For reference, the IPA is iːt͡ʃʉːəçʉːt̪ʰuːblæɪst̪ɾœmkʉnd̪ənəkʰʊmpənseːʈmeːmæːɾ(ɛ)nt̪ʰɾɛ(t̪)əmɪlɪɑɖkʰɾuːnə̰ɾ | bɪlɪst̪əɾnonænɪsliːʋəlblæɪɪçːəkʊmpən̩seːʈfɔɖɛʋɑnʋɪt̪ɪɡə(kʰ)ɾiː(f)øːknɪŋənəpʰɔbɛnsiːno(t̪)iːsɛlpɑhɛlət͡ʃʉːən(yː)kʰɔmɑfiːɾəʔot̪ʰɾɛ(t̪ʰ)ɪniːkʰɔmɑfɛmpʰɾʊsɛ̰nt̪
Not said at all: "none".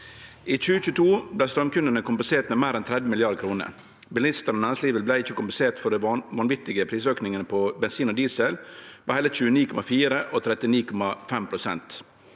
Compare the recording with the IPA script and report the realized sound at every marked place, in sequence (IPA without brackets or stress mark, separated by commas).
ɛ, d̪, pʰ, s, d̪, iː, t̪